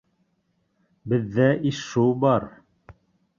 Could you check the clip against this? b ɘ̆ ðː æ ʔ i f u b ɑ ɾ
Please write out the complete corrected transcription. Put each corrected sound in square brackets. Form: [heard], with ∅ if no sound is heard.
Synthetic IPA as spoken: b ɘ̆ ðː æ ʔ i [ʃ] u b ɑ ɾ